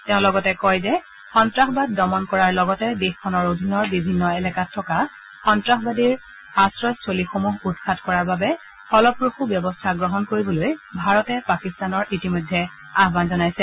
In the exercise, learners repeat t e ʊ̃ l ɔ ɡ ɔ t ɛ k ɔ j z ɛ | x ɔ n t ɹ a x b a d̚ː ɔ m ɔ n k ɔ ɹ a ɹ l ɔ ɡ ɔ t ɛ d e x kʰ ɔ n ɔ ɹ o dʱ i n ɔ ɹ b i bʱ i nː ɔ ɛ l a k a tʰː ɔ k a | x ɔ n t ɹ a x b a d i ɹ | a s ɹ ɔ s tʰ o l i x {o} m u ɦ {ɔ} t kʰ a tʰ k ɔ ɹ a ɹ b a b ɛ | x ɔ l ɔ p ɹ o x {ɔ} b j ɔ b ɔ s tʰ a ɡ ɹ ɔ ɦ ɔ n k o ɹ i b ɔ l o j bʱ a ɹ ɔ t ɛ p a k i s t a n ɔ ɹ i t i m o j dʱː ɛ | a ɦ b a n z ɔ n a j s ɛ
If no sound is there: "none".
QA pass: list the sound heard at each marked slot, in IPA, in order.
o, u, u

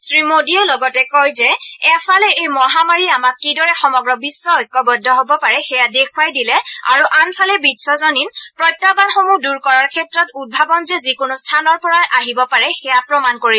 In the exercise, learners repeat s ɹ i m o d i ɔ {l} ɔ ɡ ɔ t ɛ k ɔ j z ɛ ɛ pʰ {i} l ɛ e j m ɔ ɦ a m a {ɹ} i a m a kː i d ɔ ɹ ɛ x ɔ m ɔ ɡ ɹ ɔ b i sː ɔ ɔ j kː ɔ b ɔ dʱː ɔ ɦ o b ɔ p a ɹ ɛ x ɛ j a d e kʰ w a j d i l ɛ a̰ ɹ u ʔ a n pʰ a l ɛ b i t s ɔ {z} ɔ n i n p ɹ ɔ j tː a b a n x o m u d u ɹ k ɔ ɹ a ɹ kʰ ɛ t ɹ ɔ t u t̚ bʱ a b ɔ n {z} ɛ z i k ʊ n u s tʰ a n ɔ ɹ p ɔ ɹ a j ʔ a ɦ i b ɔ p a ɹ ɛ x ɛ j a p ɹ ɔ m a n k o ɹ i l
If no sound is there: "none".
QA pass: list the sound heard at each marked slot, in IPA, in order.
l, a, ɹ, z, z

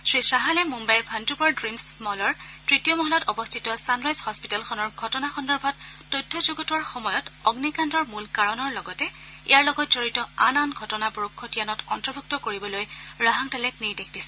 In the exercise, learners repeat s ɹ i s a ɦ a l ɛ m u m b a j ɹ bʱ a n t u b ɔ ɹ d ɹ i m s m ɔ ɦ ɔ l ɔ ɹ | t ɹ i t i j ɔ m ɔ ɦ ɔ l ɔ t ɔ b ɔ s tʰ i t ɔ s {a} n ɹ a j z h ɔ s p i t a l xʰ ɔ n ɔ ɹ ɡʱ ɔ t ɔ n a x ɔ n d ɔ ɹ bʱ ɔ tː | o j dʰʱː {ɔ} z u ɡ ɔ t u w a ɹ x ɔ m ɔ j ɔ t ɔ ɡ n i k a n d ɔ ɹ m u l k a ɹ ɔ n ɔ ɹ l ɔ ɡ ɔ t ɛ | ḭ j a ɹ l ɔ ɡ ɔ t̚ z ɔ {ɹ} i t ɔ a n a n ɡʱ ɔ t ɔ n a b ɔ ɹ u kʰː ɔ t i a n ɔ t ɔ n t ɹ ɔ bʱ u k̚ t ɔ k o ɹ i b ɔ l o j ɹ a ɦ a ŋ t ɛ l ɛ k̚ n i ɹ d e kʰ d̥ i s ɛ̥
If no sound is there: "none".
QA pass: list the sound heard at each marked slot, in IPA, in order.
a, ɔ, ɹ

